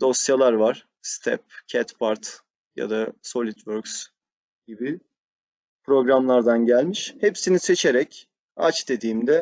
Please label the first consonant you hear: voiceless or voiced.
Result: voiced